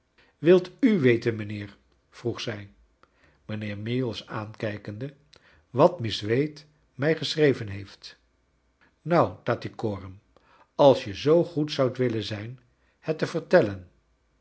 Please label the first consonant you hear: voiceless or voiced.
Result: voiced